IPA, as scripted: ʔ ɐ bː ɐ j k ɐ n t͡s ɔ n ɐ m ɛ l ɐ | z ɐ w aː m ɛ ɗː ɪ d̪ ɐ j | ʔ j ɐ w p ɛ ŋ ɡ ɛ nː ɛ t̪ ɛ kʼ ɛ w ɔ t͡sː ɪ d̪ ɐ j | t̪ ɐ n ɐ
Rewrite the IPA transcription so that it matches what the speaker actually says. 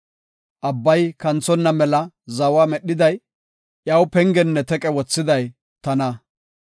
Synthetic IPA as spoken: ʔ ɐ bː ɐ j k ɐ n t͡s ɔ nː ɐ m ɛ l ɐ | z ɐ w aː m ɛ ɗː ɪ d̪ ɐ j | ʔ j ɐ w p ɛ ŋ ɡ ɛ nː ɛ t̪ ɛ kʼ ɛ w ɔ t͡sː ɪ d̪ ɐ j | t̪ ɐ n ɐ